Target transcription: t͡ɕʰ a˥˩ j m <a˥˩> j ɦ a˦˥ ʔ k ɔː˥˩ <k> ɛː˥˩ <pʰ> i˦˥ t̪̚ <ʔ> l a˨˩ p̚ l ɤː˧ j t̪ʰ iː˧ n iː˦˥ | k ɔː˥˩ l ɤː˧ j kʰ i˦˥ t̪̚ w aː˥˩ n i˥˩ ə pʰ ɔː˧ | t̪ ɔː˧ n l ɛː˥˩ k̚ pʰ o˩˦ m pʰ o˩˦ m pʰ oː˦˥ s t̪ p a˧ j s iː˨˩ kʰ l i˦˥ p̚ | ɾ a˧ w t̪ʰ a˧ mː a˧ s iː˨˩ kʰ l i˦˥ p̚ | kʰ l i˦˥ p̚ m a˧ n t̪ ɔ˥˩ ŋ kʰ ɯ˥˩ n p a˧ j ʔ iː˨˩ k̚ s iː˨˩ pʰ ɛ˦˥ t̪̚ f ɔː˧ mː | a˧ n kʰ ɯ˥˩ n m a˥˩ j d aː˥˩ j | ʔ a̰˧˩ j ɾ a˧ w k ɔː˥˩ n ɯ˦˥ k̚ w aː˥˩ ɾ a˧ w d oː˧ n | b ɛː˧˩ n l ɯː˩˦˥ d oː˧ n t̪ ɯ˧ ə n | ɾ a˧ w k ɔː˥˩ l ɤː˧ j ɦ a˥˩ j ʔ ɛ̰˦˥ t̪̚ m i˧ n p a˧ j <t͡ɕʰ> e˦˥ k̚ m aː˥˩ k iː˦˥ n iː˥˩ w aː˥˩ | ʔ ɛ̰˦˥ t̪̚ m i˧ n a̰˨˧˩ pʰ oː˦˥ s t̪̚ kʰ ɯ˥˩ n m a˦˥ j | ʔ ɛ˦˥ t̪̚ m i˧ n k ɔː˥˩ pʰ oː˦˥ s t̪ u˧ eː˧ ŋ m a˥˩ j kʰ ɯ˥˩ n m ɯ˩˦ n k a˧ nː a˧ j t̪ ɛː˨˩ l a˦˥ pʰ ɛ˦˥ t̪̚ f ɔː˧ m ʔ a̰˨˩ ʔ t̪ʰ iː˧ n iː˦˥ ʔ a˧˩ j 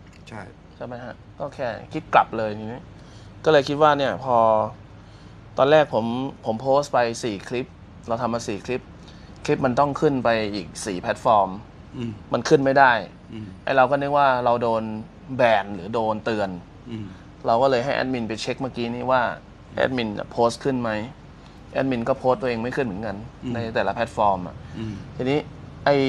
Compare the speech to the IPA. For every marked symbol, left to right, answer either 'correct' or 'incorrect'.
incorrect: a˦˥, incorrect: kʰ, incorrect: kʰ, incorrect: k, correct

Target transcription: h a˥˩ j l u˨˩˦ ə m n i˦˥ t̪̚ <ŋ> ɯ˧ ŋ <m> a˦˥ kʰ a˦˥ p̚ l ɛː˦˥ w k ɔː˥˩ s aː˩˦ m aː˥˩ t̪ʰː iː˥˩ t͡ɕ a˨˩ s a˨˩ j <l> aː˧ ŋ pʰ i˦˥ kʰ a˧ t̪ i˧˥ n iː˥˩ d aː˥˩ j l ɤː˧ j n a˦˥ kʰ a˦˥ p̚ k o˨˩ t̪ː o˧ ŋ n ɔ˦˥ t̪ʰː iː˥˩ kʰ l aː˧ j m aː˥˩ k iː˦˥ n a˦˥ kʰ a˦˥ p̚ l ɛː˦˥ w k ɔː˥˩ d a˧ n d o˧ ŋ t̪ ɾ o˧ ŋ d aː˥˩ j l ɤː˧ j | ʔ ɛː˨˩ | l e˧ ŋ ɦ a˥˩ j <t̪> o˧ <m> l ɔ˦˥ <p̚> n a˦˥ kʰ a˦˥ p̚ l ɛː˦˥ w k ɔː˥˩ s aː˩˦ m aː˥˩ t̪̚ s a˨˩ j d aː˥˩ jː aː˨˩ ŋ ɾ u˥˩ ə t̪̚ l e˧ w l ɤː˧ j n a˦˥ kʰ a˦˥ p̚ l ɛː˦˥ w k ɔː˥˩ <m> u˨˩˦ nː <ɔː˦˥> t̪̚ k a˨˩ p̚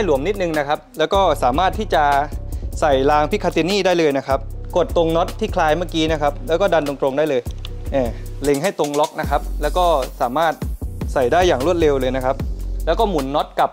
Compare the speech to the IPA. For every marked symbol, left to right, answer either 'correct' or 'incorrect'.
incorrect: n, incorrect: n, correct, correct, incorrect: ŋ, incorrect: k̚, correct, incorrect: ɔ˦˥

